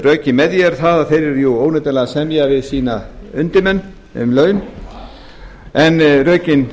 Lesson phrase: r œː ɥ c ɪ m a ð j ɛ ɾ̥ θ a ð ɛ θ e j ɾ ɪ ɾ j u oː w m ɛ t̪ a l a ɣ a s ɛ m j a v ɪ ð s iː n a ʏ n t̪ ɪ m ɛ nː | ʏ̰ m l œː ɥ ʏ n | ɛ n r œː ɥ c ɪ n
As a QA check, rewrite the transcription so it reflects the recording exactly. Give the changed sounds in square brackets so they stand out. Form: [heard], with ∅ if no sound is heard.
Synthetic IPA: r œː ɥ c ɪ m [ɛ] ð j ɛ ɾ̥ θ a ð [a] θ e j ɾ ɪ ɾ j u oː w [n] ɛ t̪ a l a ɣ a s ɛ m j a v ɪ ð s iː n a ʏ n t̪ ɪ m ɛ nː | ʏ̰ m l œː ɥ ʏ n | ɛ n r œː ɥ c ɪ n